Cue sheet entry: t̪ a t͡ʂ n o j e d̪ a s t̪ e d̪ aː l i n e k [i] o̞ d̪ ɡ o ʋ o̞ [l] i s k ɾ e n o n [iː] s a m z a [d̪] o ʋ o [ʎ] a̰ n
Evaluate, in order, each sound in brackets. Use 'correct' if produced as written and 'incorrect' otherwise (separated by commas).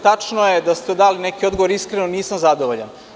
correct, incorrect, correct, correct, correct